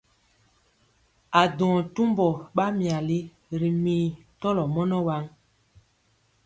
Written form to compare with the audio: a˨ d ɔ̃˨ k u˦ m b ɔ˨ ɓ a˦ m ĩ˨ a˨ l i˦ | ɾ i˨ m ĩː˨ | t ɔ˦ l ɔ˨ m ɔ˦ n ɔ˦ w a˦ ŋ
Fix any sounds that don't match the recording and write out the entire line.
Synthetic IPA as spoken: a˨ d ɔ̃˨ t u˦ m b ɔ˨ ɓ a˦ m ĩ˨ a˨ l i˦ | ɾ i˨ m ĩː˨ | t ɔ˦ l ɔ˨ m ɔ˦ n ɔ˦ w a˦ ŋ